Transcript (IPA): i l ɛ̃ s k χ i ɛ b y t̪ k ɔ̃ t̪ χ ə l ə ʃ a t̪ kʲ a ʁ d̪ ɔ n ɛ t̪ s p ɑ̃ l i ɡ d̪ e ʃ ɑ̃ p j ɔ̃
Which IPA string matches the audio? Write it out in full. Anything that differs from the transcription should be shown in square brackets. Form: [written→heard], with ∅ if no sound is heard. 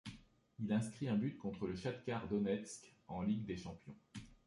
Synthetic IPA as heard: i l ɛ̃ s k χ i [ɛ→ɛ̃] b y t̪ k ɔ̃ t̪ χ ə l ə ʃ a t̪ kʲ a ʁ d̪ ɔ n ɛ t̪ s [p→k] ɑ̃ l i ɡ d̪ e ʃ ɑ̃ p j ɔ̃